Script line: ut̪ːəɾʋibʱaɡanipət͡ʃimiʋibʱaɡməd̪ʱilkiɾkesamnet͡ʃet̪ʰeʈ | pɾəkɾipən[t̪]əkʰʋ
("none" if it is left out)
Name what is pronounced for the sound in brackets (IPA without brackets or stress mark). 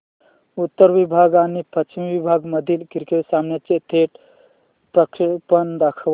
d̪